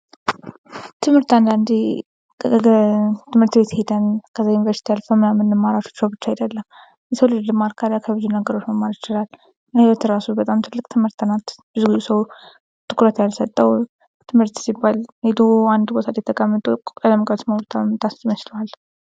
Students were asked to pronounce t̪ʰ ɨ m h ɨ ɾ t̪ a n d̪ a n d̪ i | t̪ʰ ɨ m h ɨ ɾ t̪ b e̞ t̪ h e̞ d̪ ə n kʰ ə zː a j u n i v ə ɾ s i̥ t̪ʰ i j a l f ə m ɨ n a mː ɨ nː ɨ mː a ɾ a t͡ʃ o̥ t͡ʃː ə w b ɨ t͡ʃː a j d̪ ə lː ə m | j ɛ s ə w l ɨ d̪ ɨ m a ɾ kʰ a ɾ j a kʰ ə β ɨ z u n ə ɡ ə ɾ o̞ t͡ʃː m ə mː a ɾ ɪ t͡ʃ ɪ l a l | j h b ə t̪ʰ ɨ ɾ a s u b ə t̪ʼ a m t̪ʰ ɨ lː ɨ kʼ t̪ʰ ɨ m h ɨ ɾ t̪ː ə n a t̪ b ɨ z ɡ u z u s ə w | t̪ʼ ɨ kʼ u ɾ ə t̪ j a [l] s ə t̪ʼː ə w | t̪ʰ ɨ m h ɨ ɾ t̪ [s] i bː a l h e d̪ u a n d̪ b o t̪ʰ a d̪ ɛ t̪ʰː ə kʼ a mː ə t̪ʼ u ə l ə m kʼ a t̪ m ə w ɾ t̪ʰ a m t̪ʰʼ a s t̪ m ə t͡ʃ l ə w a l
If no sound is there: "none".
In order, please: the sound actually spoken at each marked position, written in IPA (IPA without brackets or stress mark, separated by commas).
l, s